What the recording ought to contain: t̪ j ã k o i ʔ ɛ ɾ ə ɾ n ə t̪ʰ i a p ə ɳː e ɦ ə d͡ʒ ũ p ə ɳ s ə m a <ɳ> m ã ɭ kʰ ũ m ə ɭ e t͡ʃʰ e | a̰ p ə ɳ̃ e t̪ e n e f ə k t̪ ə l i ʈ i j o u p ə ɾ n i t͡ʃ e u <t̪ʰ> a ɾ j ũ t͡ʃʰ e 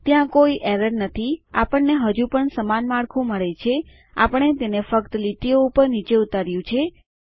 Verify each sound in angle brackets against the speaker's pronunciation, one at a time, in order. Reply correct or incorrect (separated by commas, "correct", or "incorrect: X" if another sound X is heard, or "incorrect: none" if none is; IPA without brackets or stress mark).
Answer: incorrect: n, incorrect: t̪